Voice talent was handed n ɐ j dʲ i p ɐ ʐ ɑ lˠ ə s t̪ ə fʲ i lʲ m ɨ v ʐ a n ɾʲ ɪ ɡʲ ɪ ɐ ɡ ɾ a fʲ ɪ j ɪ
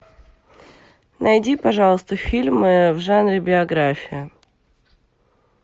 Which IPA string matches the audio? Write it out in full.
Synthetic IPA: n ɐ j dʲ i p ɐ ʐ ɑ lˠ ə s t̪ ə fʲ i lʲ m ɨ v ʐ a n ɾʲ ɪ bʲ ɪ ɐ ɡ ɾ a fʲ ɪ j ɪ